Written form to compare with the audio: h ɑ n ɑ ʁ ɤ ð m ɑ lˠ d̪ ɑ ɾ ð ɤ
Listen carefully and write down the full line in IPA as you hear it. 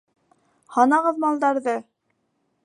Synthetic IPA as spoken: h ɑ n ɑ ʁ ɤ ð m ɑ lˠ d̪ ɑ ɾ ð ɤ